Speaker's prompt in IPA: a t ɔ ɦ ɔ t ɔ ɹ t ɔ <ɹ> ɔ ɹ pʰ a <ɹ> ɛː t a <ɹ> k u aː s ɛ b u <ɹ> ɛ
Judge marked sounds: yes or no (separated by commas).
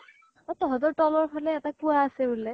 no, no, no, no